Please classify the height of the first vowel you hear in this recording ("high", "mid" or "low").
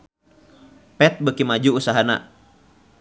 mid